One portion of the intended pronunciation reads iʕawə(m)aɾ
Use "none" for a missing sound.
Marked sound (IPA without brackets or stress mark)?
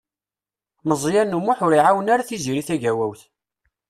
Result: n